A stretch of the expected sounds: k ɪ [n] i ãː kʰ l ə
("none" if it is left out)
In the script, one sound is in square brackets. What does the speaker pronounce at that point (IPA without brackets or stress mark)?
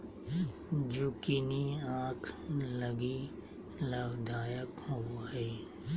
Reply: n